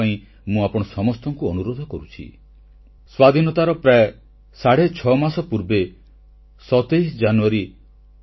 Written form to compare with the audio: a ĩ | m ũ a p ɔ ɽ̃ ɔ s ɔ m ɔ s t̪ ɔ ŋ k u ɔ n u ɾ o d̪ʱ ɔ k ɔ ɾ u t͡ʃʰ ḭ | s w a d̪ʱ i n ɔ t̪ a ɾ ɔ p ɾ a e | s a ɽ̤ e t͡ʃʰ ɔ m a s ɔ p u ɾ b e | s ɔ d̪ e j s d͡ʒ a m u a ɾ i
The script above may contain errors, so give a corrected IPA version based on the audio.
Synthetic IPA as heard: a ĩ | m ũ a p ɔ ɽ̃ ɔ s ɔ m ɔ s t̪ ɔ ŋ k u ɔ n u ɾ o d̪ʱ ɔ k ɔ ɾ u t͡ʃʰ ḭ | s w a d̪ʱ i n ɔ t̪ a ɾ ɔ p ɾ a e | s a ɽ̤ e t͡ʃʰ ɔ m a s ɔ p u ɾ b e | s ɔ t̪ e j s d͡ʒ a n u a ɾ i